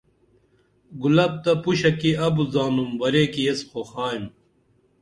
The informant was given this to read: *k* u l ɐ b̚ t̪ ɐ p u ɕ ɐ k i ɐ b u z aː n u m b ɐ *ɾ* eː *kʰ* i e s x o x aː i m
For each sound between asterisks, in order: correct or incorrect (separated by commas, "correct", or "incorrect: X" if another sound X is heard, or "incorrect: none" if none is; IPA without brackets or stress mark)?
incorrect: ɡ, correct, incorrect: k